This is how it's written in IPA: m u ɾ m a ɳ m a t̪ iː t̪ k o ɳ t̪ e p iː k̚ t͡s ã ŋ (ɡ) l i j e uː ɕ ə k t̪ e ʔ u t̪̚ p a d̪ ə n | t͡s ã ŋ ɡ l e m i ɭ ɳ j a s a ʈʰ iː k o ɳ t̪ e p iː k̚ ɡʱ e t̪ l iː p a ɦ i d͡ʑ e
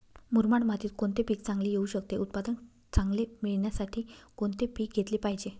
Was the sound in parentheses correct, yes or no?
yes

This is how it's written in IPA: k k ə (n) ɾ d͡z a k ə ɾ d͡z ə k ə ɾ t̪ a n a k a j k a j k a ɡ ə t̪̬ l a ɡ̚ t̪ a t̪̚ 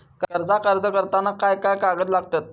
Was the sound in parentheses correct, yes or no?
no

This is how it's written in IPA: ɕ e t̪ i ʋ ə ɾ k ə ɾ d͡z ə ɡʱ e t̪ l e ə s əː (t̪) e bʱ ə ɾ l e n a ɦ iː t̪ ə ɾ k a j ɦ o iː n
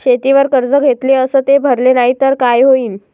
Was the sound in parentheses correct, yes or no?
yes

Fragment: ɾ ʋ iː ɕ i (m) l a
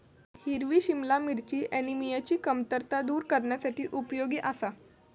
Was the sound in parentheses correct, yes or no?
yes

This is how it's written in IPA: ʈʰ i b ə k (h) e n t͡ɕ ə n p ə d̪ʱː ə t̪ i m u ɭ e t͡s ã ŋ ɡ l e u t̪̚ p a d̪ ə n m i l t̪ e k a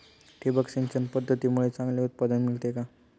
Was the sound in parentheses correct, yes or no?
no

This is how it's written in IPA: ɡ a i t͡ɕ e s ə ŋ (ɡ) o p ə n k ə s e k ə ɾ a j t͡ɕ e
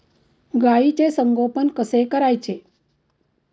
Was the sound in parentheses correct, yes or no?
yes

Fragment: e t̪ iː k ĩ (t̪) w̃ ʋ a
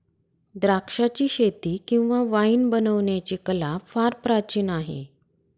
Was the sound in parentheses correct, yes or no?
no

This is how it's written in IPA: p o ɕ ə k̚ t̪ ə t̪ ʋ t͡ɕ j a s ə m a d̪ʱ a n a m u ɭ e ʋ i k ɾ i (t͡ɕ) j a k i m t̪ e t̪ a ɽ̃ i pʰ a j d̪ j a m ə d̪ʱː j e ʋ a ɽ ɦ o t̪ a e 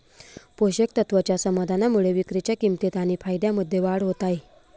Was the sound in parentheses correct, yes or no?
yes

